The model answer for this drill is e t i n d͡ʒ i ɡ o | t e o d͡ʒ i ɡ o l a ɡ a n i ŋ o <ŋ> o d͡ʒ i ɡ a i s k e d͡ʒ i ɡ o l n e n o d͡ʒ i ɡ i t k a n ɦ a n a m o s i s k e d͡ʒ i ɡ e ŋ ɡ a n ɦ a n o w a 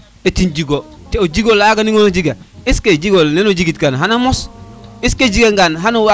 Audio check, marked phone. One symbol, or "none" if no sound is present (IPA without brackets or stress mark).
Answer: n